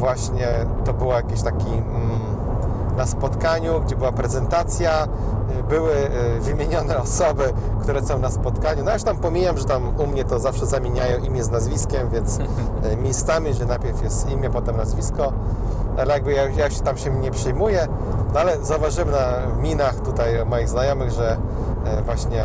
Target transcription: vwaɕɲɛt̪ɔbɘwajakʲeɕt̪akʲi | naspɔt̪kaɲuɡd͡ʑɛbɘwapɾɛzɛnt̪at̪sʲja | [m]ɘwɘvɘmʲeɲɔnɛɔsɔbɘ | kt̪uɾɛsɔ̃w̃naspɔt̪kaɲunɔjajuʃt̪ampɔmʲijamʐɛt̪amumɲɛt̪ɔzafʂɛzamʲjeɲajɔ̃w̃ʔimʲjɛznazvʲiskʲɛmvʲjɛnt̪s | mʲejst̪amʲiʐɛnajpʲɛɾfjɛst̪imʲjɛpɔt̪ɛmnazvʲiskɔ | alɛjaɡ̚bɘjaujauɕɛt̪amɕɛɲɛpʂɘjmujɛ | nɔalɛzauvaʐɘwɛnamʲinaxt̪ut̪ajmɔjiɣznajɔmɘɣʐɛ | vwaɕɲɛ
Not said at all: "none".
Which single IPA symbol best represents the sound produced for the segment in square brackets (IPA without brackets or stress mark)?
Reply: b